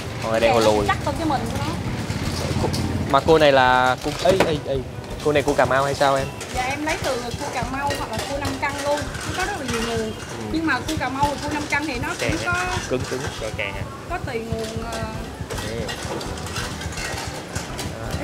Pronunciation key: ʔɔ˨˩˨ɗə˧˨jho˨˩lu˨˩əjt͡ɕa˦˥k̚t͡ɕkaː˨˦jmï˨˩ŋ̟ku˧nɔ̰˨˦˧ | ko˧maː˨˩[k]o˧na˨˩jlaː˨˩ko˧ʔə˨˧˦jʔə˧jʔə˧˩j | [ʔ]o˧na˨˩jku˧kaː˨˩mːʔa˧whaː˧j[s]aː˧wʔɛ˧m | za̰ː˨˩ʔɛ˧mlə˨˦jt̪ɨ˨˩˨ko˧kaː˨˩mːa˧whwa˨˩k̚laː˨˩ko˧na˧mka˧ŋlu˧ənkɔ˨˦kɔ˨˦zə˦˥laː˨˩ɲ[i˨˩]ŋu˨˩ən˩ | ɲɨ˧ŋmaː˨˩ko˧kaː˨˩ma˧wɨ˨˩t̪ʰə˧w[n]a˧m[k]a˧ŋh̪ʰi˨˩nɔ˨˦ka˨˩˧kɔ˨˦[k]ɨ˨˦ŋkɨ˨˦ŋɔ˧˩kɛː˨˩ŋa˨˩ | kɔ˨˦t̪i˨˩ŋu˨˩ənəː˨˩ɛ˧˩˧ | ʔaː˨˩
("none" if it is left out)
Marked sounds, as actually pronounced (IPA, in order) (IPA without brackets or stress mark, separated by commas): k, k, s, i˨˩, n, k, k